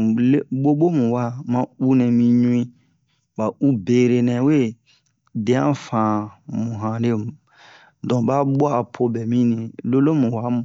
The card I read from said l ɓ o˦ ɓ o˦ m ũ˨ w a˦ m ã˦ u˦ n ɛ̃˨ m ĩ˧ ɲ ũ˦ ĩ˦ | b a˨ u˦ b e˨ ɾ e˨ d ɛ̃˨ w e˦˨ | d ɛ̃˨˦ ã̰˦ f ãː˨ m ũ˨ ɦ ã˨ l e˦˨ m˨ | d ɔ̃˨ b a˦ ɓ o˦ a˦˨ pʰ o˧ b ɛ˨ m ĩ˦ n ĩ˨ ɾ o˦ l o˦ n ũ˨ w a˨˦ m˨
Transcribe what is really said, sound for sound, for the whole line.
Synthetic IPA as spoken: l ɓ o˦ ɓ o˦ m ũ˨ w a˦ m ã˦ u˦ n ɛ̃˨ m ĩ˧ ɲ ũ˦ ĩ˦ | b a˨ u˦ b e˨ ɾ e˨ n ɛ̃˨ w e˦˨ | d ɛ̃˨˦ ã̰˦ f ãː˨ m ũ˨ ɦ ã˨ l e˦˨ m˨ | d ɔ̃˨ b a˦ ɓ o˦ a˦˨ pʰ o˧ b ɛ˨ m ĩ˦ n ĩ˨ l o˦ l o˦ m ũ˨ w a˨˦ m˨

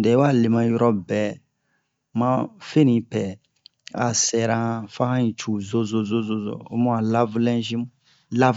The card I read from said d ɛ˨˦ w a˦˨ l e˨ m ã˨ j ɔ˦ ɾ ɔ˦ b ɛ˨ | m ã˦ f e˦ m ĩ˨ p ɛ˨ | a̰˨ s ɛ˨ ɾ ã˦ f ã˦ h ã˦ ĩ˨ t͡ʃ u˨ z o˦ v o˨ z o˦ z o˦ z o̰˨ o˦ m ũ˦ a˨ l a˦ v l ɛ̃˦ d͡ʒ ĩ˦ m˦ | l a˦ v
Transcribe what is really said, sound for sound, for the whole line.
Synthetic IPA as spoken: d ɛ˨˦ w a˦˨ l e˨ m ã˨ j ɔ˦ ɾ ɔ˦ b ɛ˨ | m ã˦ f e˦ n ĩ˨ p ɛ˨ | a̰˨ s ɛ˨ ɾ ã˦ f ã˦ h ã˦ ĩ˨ t͡ʃ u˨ z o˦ z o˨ z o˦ z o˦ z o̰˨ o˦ m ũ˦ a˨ l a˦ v l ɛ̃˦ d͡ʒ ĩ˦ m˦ | l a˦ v

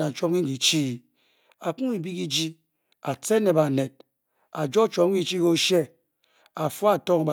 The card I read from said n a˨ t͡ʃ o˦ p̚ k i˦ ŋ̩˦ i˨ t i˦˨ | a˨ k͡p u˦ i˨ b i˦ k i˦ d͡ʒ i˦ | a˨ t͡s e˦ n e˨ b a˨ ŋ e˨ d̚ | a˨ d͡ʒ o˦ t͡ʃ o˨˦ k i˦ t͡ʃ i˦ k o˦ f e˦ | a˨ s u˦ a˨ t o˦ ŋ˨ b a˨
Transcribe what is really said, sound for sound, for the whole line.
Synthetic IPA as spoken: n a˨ t͡ʃ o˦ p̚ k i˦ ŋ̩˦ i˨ t͡ʃ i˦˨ | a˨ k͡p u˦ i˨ b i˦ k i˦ d͡ʒ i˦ | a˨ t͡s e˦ n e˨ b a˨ n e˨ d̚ | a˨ d͡ʒ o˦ t͡ʃ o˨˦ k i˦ t͡ʃ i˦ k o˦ ʃ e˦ | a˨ f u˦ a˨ t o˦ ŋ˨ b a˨

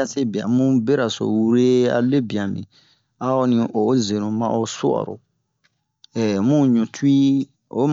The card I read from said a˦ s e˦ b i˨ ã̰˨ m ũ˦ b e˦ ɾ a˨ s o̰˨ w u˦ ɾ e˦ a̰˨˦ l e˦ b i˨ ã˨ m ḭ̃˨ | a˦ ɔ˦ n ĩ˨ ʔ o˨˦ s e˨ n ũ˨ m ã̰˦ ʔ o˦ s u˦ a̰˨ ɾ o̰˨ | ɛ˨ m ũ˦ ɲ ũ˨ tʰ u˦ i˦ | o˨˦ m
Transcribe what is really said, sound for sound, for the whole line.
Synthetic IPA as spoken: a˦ s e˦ b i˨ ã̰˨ m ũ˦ b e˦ ɾ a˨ s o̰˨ w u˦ ɾ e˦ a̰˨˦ l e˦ b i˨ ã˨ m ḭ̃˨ | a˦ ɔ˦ n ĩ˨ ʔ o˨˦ z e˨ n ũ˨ m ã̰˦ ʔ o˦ s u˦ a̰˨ ɾ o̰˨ | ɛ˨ m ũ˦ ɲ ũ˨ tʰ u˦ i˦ | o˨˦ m

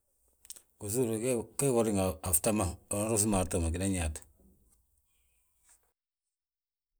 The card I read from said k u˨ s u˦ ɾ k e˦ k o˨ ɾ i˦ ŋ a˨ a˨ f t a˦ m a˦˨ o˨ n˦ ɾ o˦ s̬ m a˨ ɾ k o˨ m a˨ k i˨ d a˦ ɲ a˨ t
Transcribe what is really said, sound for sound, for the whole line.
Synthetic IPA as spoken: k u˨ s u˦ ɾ k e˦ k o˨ ɾ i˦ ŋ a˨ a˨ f t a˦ m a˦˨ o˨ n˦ ɾ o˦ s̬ m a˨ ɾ t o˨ m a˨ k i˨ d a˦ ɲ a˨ t

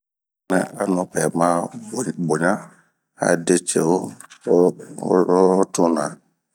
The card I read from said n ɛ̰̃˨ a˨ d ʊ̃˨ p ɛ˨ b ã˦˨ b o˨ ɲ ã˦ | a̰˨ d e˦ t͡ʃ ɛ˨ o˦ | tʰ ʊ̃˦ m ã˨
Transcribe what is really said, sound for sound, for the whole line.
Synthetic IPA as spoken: n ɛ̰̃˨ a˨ n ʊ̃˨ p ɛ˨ m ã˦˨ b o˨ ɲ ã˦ | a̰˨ d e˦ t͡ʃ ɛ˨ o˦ | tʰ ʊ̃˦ n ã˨

